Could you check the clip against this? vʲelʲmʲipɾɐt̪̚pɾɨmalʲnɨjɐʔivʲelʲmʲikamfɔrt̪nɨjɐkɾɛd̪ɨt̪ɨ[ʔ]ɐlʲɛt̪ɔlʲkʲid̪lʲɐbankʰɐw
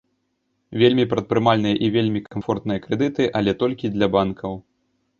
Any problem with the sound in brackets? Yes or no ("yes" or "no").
no